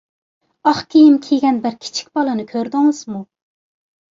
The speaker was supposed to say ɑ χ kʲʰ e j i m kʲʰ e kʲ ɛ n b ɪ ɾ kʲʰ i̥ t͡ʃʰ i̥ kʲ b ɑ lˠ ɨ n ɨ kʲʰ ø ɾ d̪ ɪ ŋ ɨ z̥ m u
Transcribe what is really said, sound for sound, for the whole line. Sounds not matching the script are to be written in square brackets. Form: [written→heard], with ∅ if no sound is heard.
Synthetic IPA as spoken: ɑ χ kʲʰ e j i m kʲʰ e [kʲ→ɡʲ] ɛ n b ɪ ɾ kʲʰ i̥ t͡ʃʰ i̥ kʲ b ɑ lˠ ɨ n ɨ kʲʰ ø ɾ d̪ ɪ ŋ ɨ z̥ m u

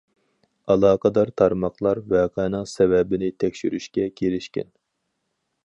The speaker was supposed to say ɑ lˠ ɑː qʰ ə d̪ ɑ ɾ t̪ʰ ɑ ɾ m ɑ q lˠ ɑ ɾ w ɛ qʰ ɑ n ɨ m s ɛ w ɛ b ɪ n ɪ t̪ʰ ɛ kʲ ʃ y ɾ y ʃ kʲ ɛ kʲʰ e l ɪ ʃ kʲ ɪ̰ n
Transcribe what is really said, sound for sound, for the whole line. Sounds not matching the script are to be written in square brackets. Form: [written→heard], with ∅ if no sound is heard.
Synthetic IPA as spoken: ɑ lˠ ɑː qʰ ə d̪ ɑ ɾ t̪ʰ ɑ ɾ m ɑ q lˠ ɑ ɾ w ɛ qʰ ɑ n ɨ [m→ŋ] s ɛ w ɛ b ɪ n ɪ t̪ʰ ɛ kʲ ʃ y ɾ y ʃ kʲ ɛ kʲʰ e l ɪ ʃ kʲ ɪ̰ n

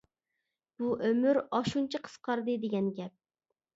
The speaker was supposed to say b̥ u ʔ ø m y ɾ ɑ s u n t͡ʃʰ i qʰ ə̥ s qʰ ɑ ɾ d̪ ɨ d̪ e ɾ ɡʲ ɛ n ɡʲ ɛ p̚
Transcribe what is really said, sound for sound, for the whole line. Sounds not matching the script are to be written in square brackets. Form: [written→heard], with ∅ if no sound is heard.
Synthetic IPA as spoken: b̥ u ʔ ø m y ɾ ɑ [s→ʃ] u n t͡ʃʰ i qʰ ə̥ s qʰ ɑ ɾ d̪ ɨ d̪ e [ɾ→∅] ɡʲ ɛ n ɡʲ ɛ p̚

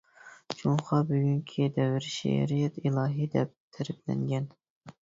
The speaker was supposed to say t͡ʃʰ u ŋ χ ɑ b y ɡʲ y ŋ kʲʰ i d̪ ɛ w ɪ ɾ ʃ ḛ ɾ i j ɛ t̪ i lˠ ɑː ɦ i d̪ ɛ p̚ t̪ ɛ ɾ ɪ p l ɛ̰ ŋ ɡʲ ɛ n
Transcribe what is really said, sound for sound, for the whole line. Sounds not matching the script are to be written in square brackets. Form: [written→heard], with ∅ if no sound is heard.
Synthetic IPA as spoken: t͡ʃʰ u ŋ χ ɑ b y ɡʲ y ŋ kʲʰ i d̪ ɛ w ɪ ɾ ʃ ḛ ɾ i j ɛ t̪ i lˠ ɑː ɦ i d̪ ɛ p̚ [t̪→t̪ʰ] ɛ ɾ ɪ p l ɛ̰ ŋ ɡʲ ɛ n

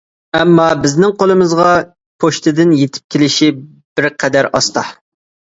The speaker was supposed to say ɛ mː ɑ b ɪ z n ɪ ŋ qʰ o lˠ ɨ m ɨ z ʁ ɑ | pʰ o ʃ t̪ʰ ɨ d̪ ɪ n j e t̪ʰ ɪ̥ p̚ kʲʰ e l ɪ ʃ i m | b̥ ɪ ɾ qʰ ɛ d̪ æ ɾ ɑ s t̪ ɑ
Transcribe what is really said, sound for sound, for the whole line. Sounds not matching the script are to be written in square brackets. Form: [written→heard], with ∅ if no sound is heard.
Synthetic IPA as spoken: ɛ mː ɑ b ɪ z n ɪ ŋ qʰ o lˠ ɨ m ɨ z ʁ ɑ | pʰ o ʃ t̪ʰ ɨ d̪ ɪ n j e t̪ʰ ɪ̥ p̚ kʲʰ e l ɪ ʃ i [m→∅] | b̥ ɪ ɾ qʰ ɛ d̪ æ ɾ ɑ s t̪ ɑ

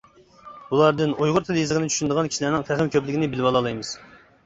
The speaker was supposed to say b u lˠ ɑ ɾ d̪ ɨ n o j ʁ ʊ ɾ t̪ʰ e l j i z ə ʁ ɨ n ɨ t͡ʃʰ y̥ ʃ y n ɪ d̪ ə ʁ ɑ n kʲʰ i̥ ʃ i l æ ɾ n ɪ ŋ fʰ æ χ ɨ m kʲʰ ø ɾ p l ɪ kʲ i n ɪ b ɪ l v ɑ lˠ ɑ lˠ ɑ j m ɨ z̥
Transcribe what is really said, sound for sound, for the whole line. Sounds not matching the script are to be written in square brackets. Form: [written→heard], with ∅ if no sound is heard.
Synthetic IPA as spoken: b u lˠ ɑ ɾ d̪ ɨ n o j ʁ ʊ ɾ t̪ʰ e l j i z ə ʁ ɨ n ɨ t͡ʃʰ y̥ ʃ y n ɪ d̪ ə ʁ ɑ n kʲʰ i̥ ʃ i l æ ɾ n ɪ ŋ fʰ æ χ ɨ m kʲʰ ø [ɾ→∅] p l ɪ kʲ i n ɪ b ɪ l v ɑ lˠ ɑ lˠ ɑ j m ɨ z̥

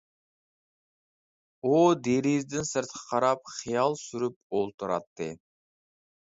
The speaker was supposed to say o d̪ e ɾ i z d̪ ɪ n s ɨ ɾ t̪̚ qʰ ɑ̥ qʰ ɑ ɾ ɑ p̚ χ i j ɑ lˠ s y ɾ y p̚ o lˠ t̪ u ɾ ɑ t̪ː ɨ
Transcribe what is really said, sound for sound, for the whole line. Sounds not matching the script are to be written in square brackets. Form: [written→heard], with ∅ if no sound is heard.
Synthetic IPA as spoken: o d̪ e ɾ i z d̪ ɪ n s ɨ ɾ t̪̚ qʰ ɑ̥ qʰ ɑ ɾ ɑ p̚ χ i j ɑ lˠ s y ɾ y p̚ o lˠ t̪ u ɾ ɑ t̪ː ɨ

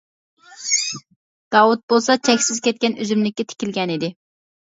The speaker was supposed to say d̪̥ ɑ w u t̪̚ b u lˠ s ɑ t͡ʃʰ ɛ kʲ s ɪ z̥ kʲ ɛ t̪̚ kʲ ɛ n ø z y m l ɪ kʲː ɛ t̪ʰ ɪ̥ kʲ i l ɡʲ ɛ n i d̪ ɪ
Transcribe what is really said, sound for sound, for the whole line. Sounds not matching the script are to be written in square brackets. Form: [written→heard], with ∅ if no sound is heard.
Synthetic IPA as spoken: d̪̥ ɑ w u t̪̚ b [u→o] lˠ s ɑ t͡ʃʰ ɛ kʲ s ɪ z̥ kʲ ɛ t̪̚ kʲ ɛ n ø z y m l ɪ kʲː ɛ t̪ʰ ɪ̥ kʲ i l ɡʲ ɛ n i d̪ ɪ

